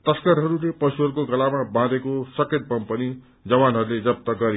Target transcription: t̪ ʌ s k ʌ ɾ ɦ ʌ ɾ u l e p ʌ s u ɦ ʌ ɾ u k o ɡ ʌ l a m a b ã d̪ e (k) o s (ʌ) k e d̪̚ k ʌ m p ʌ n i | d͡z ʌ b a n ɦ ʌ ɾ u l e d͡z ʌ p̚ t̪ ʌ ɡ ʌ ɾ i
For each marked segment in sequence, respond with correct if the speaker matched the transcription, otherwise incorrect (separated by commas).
correct, correct